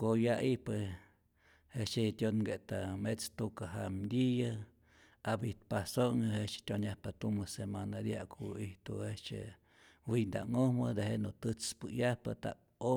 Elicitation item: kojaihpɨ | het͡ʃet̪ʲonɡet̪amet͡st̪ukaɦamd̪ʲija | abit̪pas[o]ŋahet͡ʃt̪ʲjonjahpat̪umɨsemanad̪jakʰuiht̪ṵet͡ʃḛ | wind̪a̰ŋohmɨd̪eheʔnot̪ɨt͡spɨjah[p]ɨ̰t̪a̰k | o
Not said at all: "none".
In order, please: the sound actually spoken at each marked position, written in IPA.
o, p

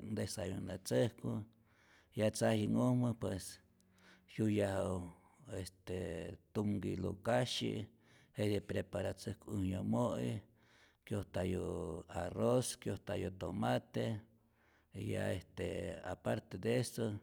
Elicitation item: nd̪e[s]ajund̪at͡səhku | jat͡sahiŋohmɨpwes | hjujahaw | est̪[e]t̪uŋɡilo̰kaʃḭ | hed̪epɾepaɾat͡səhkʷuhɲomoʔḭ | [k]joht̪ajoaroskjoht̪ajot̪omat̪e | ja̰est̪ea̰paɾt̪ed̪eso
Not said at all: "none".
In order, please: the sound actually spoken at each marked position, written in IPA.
s, e, k

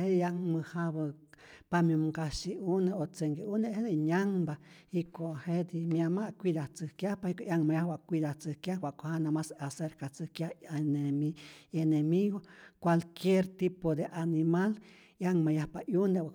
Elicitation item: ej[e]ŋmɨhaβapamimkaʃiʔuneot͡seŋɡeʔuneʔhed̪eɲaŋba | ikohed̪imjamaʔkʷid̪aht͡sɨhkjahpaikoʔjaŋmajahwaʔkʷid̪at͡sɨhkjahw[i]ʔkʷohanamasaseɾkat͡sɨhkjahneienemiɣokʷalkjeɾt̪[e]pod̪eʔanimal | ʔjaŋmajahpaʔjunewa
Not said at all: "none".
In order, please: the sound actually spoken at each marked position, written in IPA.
a, a, i

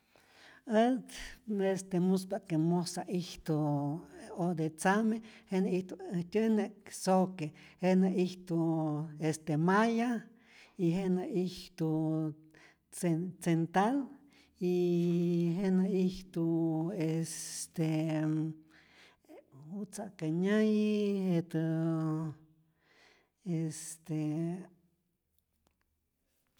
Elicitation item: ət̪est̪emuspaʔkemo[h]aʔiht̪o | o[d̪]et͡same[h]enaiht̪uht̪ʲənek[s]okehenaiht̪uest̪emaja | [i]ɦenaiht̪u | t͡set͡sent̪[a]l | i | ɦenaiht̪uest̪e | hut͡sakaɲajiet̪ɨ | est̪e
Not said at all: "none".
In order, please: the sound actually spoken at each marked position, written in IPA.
s, d̪, h, s, i, a

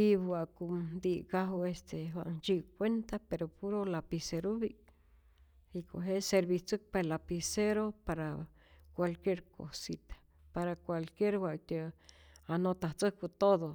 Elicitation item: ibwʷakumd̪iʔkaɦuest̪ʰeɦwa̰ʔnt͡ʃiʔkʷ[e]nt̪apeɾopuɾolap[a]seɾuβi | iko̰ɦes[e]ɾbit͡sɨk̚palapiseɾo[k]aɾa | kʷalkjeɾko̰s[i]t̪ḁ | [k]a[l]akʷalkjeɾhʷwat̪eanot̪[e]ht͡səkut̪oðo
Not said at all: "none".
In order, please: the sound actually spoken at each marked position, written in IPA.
e, i, e, p, i, p, ɾ, a

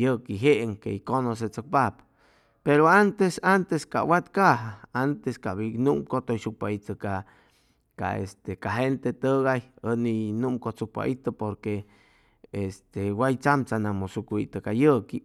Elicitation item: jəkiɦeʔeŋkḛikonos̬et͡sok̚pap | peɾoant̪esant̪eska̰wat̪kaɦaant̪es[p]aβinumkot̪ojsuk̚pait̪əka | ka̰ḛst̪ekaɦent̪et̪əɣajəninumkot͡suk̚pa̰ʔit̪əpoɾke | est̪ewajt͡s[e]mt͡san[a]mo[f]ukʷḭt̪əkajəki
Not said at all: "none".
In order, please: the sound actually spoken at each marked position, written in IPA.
k, a, a, s

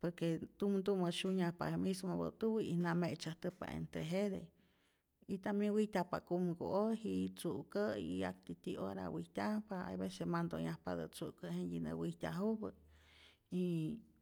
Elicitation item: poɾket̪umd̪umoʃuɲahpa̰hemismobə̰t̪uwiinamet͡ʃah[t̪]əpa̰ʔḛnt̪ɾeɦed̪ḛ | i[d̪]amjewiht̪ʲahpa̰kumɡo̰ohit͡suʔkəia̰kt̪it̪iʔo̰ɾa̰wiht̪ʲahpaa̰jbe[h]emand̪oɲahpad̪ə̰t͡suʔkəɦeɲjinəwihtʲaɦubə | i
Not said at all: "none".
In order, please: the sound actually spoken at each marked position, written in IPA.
t̪, t̪, s

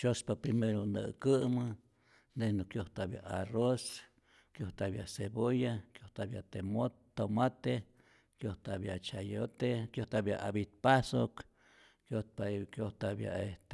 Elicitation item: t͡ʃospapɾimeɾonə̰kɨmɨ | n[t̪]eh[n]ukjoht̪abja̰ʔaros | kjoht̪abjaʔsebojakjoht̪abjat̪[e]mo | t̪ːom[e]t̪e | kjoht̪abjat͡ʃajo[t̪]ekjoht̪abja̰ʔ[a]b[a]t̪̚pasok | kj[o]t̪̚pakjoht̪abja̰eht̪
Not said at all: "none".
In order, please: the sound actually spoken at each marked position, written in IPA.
d̪, n, e, a, t̪, a, i, o

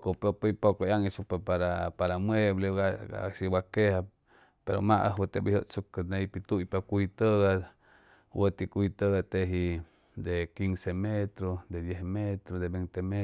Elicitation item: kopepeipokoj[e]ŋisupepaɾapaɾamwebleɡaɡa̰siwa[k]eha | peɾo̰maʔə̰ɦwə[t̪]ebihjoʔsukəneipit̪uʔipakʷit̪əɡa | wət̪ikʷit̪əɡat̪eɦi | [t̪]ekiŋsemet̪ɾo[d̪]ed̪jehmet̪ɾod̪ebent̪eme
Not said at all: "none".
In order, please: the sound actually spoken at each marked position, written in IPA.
a, k, t̪, d̪, d̪

